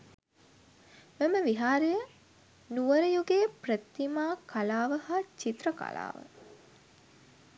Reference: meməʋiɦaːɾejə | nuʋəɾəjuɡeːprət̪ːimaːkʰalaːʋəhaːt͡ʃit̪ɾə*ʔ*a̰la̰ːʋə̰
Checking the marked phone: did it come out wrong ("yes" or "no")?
yes